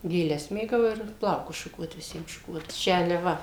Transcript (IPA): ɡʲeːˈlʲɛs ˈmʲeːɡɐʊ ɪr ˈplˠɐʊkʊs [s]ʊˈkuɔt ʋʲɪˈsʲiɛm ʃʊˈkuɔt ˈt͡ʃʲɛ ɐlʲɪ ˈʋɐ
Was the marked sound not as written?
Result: yes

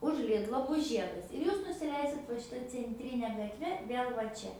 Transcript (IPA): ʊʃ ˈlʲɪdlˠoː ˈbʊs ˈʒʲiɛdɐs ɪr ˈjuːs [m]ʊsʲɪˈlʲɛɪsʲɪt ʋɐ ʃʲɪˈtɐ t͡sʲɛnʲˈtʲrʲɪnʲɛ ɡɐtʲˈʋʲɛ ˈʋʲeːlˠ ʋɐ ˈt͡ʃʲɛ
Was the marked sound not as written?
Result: yes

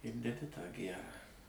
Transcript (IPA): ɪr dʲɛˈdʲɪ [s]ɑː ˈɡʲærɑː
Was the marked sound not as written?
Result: yes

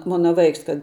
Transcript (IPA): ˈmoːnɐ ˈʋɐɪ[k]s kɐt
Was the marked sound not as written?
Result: no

